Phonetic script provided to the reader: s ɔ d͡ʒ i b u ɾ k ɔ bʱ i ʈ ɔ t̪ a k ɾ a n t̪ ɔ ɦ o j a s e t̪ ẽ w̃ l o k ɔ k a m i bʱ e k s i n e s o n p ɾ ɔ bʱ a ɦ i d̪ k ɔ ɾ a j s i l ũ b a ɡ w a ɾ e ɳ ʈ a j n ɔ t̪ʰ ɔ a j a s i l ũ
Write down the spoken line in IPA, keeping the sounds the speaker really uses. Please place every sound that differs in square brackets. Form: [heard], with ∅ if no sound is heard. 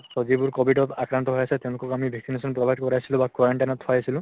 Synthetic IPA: s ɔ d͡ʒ i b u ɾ k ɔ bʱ i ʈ ɔ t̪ a k ɾ a n t̪ ɔ ɦ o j a s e t̪ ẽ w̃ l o k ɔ k a m i bʱ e k s i n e s [ɔ] n p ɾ ɔ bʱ a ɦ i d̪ k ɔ ɾ a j s i l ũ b a [k] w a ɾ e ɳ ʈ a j n ɔ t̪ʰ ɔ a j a s i l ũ